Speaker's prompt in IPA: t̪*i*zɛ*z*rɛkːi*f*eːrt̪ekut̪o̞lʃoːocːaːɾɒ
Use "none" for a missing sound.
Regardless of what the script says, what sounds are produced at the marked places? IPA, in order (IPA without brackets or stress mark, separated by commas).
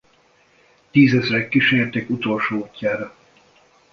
iː, z, ʃ